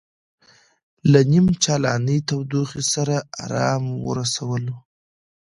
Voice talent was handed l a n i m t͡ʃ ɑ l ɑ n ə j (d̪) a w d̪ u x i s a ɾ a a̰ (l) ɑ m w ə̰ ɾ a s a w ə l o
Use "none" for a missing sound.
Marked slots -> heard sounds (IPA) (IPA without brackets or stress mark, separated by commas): t̪, ɾ